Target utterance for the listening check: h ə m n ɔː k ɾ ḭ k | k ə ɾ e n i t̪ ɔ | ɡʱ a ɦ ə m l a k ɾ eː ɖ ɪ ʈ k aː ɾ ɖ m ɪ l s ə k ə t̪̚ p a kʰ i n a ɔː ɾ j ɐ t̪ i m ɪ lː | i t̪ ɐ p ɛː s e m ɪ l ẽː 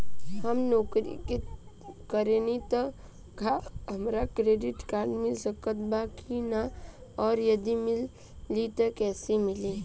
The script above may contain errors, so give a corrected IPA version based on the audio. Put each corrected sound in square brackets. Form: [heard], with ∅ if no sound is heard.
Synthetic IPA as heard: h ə m n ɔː k ɾ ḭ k | k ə ɾ e n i t̪ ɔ | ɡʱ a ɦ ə m [ɾ] a k ɾ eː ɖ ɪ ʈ k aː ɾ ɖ m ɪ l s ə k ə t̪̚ [b] a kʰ i n a ɔː ɾ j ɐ [d̪] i m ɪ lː | i t̪ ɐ [k] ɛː s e m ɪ l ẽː